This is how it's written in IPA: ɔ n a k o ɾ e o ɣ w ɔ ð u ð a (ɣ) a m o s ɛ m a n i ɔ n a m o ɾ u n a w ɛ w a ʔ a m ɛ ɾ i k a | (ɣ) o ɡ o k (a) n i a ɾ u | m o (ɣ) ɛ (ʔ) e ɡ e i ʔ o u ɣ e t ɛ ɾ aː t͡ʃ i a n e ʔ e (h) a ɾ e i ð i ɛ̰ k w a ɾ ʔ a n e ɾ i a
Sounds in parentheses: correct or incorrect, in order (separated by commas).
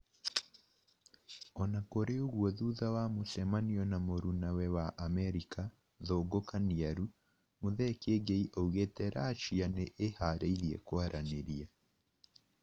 incorrect, incorrect, correct, incorrect, incorrect, correct